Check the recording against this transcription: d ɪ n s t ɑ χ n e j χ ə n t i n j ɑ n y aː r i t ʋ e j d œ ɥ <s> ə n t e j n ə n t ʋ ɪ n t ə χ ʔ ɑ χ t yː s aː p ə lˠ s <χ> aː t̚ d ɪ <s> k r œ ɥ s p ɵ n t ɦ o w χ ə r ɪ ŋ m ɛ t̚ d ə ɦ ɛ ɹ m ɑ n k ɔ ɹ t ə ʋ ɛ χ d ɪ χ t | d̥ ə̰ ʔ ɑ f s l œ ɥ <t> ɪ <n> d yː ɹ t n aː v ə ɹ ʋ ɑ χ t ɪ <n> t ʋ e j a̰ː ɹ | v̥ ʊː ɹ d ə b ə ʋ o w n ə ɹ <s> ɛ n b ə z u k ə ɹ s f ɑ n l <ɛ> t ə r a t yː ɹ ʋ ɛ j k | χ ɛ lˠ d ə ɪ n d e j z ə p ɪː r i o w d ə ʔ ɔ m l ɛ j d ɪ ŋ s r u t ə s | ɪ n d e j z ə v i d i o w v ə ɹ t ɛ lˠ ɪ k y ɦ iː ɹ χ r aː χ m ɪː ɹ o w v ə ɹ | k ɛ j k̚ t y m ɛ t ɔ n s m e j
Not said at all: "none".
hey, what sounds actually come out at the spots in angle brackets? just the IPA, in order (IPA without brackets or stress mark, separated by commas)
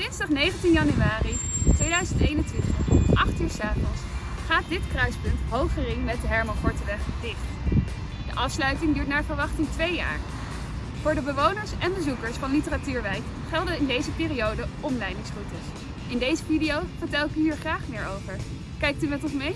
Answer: z, χ, t, t, ŋ, ŋ, s, i